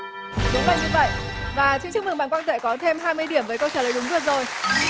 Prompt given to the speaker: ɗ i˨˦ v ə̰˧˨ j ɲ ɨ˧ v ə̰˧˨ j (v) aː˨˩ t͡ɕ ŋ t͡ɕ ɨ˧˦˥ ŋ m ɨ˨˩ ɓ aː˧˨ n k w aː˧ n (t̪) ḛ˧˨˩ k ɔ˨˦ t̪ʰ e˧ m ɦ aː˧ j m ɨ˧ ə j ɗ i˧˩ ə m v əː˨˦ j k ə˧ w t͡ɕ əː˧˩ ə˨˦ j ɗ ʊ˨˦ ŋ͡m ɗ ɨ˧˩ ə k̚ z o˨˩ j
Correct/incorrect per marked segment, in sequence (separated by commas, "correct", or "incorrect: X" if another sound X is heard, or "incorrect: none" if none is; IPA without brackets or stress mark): correct, correct